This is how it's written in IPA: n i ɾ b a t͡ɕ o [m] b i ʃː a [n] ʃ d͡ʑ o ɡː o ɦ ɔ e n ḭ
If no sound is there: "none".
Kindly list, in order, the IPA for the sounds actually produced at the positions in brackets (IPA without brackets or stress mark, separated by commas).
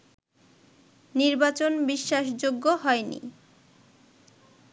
n, none